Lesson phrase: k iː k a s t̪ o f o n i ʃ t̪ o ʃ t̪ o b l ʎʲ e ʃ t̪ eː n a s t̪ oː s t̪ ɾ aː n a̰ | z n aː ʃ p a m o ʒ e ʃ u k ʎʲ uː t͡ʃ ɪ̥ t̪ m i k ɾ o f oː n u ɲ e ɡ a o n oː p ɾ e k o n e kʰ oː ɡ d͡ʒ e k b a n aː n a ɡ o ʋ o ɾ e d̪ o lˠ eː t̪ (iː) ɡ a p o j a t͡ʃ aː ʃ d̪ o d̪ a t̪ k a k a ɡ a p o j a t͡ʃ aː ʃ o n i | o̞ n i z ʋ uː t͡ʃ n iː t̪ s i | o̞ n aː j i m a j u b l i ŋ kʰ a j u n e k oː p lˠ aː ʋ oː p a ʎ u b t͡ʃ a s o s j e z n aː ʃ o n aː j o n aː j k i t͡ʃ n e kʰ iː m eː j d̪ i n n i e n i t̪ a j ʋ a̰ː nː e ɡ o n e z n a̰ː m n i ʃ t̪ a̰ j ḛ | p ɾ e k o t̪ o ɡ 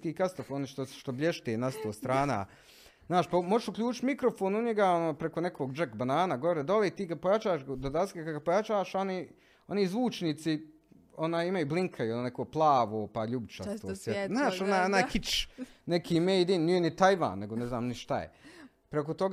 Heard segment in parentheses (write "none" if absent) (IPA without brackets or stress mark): iː